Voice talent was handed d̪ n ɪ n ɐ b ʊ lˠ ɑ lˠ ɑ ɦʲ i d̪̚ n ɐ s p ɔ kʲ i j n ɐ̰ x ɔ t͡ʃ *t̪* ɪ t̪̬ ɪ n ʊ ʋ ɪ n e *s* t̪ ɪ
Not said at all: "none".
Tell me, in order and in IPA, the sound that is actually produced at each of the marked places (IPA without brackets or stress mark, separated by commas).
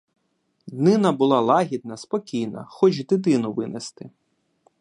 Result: d̪, s